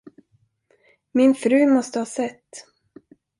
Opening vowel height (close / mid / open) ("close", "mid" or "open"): close